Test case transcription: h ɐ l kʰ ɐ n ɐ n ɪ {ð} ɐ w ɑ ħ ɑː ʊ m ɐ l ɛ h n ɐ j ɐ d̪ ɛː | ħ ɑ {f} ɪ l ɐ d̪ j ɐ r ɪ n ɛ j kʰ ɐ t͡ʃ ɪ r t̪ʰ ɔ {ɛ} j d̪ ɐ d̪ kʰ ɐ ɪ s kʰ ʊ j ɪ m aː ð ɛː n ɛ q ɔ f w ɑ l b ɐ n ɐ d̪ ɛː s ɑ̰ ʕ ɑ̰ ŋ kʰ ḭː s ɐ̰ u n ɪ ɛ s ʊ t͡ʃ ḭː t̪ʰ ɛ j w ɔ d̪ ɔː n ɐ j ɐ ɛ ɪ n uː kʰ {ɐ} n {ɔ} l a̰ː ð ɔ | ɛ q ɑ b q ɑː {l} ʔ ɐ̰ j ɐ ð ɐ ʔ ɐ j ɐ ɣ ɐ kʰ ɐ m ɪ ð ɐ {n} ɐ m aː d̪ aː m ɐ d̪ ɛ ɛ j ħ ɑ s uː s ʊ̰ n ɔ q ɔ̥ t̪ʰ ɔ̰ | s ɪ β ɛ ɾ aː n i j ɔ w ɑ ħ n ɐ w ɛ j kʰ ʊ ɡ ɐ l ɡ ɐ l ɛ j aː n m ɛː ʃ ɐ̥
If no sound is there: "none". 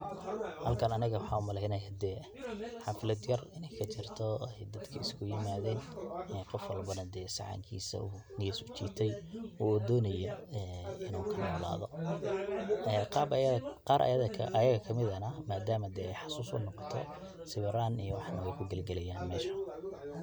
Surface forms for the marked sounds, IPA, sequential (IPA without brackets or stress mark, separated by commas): ɣ, f, ɛ, ɐ, ɔː, ɾ, n